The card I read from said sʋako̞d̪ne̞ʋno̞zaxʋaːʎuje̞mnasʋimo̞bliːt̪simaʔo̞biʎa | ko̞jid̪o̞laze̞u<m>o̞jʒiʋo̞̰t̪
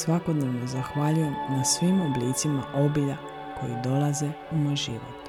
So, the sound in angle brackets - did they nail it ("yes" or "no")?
yes